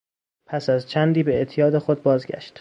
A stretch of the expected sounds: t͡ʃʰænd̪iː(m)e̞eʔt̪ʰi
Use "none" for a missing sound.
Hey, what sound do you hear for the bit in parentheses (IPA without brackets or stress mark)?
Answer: b